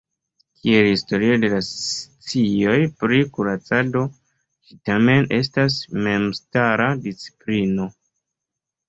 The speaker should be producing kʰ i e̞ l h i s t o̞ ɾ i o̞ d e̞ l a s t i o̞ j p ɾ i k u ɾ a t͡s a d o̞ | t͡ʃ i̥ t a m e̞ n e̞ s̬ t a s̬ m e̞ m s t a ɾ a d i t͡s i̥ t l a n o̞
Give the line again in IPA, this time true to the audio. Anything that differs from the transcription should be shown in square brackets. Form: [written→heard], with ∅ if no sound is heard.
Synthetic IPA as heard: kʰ i e̞ l h i s t o̞ ɾ i o̞ d e̞ l a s [t→t͡s] i o̞ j p ɾ i k u ɾ a t͡s a d o̞ | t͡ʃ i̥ t a m e̞ n e̞ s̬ t a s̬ m e̞ m s t a ɾ a d i t͡s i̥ [t→p] l [a→i] n o̞